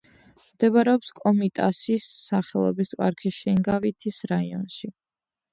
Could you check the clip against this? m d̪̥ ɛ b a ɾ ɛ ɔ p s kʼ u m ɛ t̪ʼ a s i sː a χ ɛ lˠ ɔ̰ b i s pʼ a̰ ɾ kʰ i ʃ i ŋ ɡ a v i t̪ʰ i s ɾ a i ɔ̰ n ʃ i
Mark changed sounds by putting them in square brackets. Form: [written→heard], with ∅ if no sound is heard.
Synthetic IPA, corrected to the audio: m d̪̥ ɛ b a ɾ ɛ ɔ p s kʼ [u→ɔ] m [ɛ→i] t̪ʼ a s i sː a χ ɛ lˠ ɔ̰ b i s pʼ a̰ ɾ kʰ i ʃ [i→ɛ] ŋ ɡ a v i t̪ʰ i s ɾ a i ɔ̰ n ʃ i